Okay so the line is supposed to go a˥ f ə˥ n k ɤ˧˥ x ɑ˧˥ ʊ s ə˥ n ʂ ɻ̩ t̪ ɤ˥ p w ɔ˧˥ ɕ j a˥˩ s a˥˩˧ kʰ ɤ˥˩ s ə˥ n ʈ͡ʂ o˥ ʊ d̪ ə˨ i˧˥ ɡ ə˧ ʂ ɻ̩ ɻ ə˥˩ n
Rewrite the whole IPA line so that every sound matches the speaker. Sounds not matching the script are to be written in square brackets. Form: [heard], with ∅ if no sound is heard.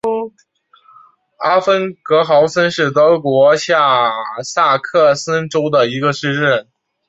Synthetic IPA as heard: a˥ f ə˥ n k ɤ˧˥ x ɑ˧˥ ʊ s ə˥ n ʂ ɻ̩ t̪ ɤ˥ [k] w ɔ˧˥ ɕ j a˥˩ s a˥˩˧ kʰ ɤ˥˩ s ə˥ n ʈ͡ʂ o˥ ʊ d̪ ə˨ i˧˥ ɡ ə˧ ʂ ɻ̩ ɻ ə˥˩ n